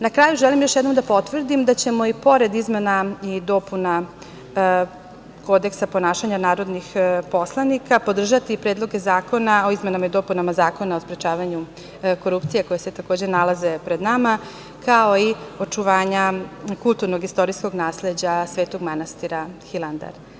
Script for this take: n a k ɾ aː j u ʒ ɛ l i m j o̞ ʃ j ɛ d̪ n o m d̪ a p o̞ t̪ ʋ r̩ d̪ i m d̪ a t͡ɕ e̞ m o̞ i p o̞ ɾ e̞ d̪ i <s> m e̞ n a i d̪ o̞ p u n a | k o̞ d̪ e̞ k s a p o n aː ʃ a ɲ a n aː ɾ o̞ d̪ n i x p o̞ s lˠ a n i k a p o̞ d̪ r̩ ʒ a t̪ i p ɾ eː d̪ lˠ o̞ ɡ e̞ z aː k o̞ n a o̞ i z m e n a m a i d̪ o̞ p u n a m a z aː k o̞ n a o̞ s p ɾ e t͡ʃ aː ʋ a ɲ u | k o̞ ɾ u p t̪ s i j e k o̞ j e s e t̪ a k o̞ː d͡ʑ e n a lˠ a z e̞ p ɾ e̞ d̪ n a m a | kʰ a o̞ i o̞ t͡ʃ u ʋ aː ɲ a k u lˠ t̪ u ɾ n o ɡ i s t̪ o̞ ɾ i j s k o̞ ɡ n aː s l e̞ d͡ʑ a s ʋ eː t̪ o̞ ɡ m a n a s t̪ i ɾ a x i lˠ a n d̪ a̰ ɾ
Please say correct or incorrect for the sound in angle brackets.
incorrect